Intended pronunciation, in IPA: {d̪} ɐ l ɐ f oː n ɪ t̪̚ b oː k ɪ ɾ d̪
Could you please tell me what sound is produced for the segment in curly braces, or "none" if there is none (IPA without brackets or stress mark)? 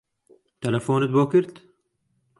t̪